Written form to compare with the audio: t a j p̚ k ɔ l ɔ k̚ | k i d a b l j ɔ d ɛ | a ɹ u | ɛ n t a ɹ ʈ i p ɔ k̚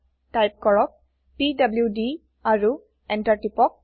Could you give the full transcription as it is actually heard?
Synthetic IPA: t a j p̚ k ɔ ɹ ɔ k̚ | p i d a b l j u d i | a ɹ u | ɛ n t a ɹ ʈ i p ɔ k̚